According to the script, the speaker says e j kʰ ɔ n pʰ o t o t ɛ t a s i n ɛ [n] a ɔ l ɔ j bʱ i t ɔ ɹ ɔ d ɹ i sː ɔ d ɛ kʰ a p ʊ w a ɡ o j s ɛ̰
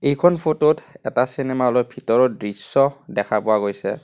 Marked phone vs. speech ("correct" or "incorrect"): incorrect